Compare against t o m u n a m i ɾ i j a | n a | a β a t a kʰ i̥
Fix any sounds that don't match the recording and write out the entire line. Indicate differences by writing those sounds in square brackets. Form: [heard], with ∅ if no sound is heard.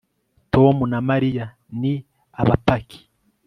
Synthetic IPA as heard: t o m u n a m [a] ɾ i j a | n [i] | a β a [p] a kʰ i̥